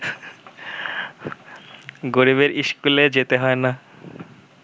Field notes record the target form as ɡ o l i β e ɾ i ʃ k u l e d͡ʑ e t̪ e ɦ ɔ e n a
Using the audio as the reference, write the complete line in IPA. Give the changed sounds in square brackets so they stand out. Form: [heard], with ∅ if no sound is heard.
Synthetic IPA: ɡ o [ɾ] i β e ɾ i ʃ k u l e d͡ʑ e t̪ e ɦ ɔ e n a